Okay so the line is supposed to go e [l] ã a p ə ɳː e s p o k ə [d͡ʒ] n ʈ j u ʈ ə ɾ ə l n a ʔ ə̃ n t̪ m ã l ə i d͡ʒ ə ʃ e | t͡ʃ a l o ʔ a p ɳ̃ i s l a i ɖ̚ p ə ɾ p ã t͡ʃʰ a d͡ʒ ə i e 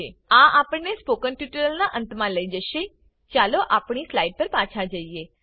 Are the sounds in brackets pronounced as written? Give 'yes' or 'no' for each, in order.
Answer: no, no

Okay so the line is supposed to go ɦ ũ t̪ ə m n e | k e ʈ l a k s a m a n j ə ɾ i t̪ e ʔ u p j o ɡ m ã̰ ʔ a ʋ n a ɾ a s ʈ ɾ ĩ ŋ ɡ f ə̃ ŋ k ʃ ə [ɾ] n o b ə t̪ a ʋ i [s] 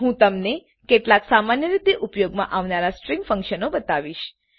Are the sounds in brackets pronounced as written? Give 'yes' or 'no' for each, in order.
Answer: no, no

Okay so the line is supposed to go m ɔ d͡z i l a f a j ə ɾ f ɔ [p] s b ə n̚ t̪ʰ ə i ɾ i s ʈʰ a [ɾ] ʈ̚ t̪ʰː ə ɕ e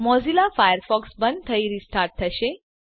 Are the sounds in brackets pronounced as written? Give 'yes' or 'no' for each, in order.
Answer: no, yes

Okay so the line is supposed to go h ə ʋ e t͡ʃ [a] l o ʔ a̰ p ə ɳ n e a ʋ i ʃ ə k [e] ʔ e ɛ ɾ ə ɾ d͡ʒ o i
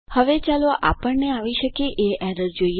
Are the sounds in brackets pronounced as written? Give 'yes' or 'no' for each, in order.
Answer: yes, yes

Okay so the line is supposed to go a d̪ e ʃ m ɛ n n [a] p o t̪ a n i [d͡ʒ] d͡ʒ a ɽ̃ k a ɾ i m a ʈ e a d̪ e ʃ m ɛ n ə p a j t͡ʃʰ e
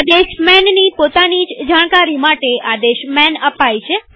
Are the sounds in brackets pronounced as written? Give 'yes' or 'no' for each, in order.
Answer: no, yes

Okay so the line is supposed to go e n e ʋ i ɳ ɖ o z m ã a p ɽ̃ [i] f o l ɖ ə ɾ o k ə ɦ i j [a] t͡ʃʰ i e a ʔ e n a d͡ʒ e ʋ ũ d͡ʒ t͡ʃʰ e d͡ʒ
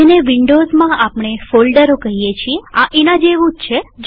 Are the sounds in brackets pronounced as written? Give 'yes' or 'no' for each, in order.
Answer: no, no

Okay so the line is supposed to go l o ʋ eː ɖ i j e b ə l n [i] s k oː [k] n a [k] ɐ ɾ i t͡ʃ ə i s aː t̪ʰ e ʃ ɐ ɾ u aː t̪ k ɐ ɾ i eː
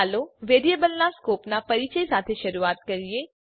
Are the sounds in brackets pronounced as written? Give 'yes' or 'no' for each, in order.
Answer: no, no, no

